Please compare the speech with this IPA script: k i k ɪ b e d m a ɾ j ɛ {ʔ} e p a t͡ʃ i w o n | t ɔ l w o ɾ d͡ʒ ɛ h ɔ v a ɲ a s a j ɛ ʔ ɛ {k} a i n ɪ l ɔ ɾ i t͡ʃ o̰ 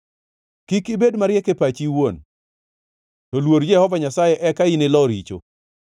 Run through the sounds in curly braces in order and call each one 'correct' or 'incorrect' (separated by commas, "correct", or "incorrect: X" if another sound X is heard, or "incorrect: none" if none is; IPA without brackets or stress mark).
incorrect: k, correct